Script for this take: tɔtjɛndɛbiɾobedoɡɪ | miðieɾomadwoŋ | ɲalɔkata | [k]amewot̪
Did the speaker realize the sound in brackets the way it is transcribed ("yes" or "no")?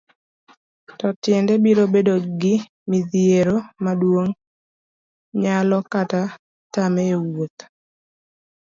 no